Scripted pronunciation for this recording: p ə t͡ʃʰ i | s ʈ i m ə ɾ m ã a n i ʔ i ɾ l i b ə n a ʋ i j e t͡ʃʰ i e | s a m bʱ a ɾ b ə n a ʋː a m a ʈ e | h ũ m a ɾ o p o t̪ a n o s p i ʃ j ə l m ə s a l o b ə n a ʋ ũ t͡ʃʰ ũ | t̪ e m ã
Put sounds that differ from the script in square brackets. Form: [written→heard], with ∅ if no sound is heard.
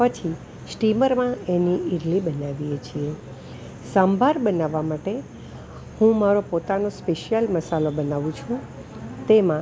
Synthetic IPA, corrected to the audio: p ə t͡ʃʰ i | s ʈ i m ə ɾ m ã [a→e] n i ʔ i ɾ l i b ə n a ʋ i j e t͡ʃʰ i e | s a m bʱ a ɾ b ə n a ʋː a m a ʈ e | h ũ m a ɾ o p o t̪ a n o s p [i→e] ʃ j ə l m ə s a l o b ə n a ʋ ũ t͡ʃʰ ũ | t̪ e m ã